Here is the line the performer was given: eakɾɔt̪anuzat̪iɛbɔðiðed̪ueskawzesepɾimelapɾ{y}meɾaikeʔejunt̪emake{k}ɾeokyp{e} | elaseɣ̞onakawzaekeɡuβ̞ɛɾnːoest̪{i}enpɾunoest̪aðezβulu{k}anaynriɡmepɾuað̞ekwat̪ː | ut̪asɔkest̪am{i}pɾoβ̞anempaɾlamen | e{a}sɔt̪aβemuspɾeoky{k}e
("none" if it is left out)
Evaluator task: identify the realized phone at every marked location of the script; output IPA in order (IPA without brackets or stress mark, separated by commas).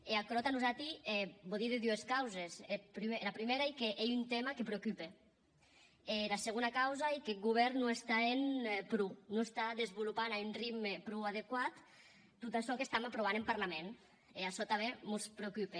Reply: i, p, e, a, p, a, a, p